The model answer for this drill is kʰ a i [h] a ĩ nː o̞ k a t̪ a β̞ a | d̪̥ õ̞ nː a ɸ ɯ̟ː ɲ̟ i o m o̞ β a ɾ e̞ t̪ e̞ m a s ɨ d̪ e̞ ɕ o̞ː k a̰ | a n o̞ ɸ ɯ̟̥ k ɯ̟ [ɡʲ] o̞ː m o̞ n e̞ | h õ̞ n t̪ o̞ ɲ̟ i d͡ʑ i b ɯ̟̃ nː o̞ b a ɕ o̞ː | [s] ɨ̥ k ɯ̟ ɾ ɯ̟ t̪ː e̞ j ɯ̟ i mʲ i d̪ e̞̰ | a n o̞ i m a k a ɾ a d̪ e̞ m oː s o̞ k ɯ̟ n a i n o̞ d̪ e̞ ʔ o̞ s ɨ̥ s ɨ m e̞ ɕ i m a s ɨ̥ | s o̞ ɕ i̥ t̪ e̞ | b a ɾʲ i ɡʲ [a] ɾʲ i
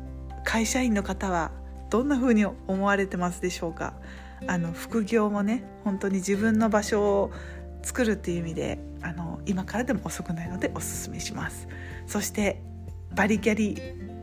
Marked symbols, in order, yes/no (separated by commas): no, yes, no, yes